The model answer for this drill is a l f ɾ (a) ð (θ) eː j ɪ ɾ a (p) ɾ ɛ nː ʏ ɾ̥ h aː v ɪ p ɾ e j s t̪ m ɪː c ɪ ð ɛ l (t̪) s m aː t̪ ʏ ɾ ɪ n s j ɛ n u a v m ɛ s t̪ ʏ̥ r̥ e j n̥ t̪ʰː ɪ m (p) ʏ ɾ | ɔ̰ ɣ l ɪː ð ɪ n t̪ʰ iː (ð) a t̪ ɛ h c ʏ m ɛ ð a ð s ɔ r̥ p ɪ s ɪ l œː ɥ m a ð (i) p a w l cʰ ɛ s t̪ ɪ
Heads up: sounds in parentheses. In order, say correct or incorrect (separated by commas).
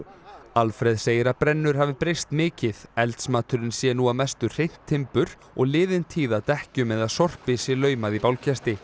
incorrect, incorrect, correct, correct, correct, correct, correct